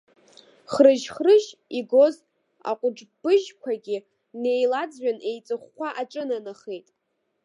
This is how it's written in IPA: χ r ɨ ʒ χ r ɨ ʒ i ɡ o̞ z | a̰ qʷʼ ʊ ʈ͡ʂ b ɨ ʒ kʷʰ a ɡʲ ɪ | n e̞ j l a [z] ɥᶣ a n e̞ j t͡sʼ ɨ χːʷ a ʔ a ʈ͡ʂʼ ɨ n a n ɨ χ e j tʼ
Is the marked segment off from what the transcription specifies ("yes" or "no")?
yes